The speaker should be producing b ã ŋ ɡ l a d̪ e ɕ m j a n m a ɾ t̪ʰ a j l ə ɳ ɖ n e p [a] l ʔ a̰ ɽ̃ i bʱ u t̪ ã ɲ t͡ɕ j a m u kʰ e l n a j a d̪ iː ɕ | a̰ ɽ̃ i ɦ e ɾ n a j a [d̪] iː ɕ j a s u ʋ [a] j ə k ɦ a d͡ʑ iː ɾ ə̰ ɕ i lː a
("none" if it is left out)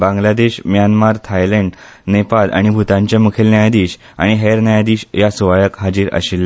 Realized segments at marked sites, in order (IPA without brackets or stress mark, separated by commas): a, d̪, a